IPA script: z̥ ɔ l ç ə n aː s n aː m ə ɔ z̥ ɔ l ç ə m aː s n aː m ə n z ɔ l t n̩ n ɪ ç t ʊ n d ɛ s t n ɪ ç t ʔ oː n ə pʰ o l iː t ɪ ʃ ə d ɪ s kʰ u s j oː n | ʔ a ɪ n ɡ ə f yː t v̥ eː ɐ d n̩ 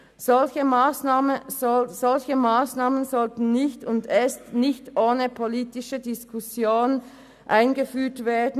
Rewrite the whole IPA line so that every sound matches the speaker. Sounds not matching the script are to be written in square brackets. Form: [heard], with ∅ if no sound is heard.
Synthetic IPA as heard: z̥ ɔ l ç ə [m] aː s n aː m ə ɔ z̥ ɔ l ç ə m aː s n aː m ə n z ɔ l t n̩ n ɪ ç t ʊ n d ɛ s t n ɪ ç t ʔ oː n ə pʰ o l iː t ɪ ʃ ə d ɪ s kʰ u s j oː n | ʔ a ɪ n ɡ ə f yː t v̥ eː ɐ d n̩